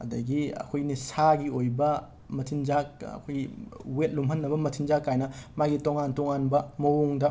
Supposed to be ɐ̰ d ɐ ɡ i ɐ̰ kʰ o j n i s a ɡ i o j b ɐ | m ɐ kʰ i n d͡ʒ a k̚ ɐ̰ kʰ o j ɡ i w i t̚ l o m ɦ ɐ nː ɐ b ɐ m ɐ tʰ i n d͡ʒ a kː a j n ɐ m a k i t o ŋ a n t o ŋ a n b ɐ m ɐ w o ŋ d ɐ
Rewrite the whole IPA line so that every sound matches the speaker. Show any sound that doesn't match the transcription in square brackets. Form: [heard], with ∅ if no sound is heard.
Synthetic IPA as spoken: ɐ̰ d ɐ ɡ i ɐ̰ kʰ o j n i s a ɡ i o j b ɐ | m ɐ [tʰ] i n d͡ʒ a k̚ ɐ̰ kʰ o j ɡ i w [e] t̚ l [u] m ɦ ɐ nː ɐ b ɐ m ɐ tʰ i n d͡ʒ a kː a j n ɐ m a [ɡ] i t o ŋ a n t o ŋ a n b ɐ m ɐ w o ŋ d ɐ